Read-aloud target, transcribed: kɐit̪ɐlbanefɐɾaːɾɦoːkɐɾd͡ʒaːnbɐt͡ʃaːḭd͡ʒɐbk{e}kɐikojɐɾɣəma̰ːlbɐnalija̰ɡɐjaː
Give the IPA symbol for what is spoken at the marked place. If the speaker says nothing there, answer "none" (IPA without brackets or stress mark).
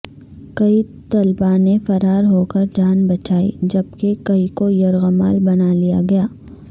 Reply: e